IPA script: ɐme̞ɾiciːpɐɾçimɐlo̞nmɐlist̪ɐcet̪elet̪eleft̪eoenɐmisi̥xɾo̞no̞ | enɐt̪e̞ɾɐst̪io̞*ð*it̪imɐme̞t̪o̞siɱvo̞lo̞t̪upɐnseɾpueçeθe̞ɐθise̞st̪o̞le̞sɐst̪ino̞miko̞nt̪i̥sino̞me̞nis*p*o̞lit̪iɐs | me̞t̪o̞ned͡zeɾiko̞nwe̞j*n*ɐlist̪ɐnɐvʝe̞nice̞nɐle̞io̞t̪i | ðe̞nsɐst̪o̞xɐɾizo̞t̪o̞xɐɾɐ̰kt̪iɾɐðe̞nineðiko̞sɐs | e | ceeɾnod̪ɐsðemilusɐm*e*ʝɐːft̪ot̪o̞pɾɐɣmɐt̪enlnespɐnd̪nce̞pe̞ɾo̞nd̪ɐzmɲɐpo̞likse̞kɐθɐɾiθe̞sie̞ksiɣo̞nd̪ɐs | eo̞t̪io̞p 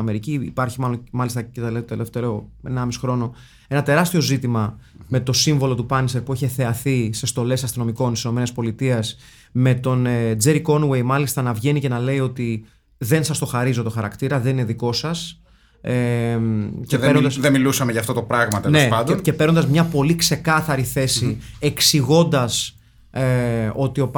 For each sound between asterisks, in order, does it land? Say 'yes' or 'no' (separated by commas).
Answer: no, yes, no, yes